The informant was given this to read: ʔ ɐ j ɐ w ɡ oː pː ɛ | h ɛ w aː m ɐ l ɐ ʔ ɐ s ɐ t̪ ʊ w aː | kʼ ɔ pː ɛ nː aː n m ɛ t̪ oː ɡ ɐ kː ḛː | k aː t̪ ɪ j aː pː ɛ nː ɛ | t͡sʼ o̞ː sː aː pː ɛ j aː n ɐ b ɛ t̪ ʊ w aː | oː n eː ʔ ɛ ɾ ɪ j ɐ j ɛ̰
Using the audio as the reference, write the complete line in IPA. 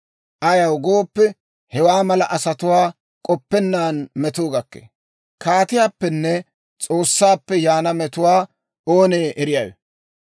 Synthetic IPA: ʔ ɐ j ɐ w ɡ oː pː ɛ | h ɛ w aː m ɐ l ɐ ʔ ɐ s ɐ t̪ ʊ w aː | kʼ ɔ pː ɛ nː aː n m ɛ t̪ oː ɡ ɐ kː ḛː | k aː t̪ ɪ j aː pː ɛ nː ɛ | t͡sʼ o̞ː sː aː pː ɛ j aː n ɐ m ɛ t̪ ʊ w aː | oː n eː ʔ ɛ ɾ ɪ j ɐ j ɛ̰